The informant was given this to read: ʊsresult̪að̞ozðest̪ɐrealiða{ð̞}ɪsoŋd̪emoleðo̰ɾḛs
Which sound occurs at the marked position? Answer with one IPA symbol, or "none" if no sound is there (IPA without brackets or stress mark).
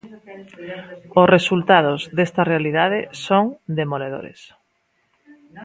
ð̞